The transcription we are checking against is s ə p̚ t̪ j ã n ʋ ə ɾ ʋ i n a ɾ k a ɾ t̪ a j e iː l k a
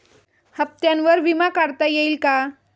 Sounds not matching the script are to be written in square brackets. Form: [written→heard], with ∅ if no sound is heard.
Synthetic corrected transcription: [s→h] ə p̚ t̪ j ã n ʋ ə ɾ ʋ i [n→m] a [ɾ→∅] k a ɾ t̪ a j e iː l k a